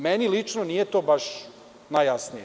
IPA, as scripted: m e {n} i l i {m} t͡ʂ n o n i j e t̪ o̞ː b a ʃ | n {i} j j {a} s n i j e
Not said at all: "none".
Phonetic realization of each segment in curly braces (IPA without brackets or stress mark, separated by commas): n, none, a, a